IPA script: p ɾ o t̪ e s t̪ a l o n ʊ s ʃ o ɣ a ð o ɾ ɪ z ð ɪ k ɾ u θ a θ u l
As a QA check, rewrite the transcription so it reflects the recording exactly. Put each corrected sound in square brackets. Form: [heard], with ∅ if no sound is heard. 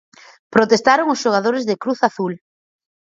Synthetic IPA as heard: p ɾ o t̪ e s t̪ a [ɾ] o [ŋ] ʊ s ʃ o ɣ a ð o ɾ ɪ z ð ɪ k ɾ u θ a θ u l